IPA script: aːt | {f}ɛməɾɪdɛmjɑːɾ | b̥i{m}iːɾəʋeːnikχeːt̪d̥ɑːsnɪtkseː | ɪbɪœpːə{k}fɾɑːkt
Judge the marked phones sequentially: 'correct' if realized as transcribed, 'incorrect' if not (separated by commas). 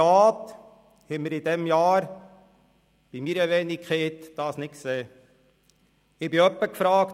incorrect, correct, correct